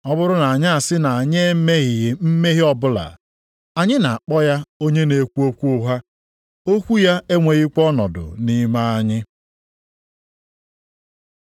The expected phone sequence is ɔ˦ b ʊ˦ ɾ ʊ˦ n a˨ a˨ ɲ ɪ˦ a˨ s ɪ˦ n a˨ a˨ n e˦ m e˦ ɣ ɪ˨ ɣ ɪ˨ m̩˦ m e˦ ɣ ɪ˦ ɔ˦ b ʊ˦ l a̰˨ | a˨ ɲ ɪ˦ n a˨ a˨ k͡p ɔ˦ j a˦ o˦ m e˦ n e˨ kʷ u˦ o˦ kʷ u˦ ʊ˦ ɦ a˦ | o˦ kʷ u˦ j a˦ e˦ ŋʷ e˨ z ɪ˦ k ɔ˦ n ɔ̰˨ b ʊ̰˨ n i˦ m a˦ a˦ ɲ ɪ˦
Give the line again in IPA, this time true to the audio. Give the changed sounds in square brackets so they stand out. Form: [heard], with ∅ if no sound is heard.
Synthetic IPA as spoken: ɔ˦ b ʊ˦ ɾ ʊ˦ n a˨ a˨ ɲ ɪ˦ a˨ s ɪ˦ n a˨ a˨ [ɲ] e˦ m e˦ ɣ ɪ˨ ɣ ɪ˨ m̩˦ m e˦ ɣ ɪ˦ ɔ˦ b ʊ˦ l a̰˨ | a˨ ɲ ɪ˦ n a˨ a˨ k͡p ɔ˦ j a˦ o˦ [ɲ] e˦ n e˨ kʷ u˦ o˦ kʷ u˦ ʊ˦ ɦ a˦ | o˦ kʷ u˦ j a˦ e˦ ŋʷ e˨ [ɣ] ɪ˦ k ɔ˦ n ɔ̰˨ [d] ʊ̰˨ n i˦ m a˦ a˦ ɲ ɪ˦